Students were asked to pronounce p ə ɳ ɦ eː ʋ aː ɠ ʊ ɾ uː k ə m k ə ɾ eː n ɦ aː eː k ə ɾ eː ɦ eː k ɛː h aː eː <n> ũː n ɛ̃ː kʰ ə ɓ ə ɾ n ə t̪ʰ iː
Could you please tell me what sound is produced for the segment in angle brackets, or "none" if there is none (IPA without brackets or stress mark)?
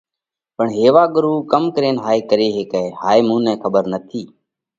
m